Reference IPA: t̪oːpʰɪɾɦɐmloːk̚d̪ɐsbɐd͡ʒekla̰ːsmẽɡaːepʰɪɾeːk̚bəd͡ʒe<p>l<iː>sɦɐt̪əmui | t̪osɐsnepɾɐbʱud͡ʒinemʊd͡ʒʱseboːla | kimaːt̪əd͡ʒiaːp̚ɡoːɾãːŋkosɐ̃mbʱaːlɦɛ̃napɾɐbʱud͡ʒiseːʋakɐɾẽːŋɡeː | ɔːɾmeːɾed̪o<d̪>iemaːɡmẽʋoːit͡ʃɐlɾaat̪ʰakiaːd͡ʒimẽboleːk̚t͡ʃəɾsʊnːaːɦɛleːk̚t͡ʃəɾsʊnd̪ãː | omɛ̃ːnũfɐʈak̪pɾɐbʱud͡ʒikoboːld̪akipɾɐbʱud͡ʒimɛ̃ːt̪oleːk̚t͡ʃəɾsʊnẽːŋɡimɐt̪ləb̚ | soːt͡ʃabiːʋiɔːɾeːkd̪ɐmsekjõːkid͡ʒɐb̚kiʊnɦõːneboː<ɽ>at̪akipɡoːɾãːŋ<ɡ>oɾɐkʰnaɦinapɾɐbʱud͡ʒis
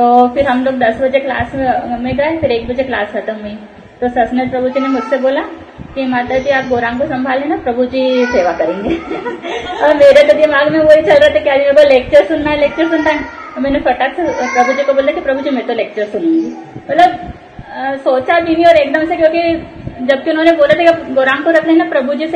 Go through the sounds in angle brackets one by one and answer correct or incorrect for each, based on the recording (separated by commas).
incorrect, incorrect, correct, incorrect, incorrect